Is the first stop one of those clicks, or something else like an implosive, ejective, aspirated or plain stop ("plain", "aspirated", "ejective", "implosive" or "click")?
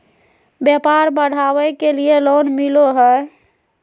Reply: plain